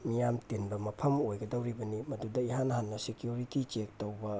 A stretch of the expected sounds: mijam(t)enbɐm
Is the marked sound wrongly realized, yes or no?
no